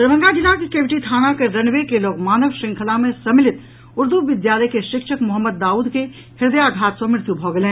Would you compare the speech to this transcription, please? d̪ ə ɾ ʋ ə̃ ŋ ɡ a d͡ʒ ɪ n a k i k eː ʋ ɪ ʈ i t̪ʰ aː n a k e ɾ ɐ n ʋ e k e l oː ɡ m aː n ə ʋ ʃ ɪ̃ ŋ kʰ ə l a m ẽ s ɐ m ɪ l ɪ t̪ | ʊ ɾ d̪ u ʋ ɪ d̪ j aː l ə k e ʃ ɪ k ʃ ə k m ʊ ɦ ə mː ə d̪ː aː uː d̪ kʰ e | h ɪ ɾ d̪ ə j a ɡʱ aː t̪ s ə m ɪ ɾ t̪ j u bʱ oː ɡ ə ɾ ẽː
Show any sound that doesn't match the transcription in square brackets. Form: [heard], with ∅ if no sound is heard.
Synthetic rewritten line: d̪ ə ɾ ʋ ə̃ ŋ ɡ a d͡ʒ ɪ n a k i k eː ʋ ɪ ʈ i t̪ʰ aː n a k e ɾ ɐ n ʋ e k e l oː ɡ m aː n ə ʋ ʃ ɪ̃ ŋ kʰ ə l a m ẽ s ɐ m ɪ l ɪ t̪ | ʊ ɾ d̪ u ʋ ɪ d̪ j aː l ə k e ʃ ɪ k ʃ ə k m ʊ ɦ ə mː ə d̪ː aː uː d̪ [k] e | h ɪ ɾ d̪ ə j a ɡʱ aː t̪ s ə m ɪ ɾ t̪ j u bʱ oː ɡ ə [l] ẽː

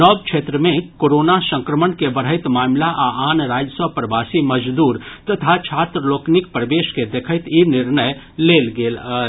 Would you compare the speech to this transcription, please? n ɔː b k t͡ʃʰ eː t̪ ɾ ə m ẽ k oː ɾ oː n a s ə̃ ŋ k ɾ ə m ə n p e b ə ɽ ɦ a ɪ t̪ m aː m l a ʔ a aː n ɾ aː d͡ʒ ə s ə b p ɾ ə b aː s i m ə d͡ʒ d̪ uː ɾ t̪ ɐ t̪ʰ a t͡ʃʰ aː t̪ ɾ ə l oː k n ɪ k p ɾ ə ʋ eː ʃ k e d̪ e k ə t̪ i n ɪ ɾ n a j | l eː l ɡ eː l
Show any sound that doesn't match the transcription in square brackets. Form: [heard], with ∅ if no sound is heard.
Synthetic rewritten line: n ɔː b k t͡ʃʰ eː t̪ ɾ ə m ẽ k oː ɾ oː n a s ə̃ ŋ k ɾ ə m ə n [k] e b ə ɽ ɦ [ə] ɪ t̪ m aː m l a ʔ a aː n ɾ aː d͡ʒ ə s ə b p ɾ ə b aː s i m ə d͡ʒ d̪ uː ɾ t̪ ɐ t̪ʰ a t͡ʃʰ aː t̪ ɾ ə l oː k n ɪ k p ɾ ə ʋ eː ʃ k e d̪ e [kʰ] ə t̪ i n ɪ ɾ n [ə] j | l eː l ɡ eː l

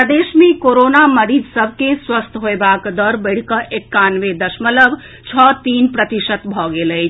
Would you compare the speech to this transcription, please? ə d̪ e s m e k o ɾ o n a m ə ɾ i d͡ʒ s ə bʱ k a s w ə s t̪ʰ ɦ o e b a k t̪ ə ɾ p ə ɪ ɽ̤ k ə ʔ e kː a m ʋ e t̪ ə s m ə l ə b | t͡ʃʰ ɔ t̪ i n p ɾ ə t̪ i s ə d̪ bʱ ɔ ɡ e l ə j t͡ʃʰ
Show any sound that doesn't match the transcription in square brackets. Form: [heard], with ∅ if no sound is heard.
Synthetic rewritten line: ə d̪ e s m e k o ɾ o n a m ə ɾ i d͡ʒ s ə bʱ k [e] s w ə s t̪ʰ ɦ o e b a k [d̪] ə ɾ [b] ə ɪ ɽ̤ k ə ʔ e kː a [n] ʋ e [d̪] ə s m ə l ə b | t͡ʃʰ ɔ t̪ i n p ɾ ə t̪ i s ə [t̪] bʱ ɔ ɡ e l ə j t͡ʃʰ

